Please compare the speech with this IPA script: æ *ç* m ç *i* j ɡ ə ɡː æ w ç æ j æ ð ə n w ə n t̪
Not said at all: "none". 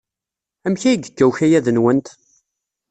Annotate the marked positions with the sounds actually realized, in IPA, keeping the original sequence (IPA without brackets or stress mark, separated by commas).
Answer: none, æ